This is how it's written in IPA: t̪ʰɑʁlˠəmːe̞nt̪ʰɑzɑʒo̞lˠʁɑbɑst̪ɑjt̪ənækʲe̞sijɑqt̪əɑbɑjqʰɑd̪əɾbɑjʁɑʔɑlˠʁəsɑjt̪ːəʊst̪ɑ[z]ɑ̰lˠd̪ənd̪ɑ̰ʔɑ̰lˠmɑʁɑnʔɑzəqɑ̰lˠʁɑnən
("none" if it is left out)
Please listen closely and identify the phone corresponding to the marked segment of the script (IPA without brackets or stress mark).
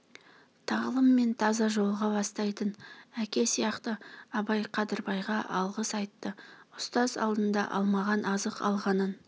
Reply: z